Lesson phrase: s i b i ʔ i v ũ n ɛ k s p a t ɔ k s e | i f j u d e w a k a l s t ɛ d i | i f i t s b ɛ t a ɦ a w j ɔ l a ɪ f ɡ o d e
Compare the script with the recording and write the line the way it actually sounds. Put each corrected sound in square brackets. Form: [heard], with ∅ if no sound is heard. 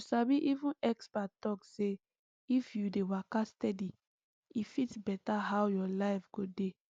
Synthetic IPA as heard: s [a] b i ʔ i v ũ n ɛ k s p a t ɔ k s e | i f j u d e w a k a [∅] s t ɛ d i | i f i t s b ɛ t a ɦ a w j ɔ l a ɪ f ɡ o d e